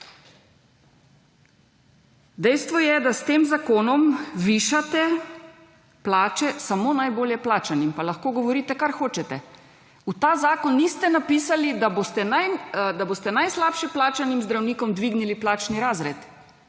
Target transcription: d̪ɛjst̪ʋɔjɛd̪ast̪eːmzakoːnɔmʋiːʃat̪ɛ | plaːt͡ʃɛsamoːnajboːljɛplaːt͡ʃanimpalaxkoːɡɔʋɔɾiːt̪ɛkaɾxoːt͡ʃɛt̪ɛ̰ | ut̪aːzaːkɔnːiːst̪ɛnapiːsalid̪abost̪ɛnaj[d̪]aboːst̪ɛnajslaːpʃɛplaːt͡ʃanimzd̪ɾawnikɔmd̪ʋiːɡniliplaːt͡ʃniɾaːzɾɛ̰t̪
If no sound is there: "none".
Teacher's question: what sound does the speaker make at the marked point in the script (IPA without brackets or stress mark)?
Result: d̪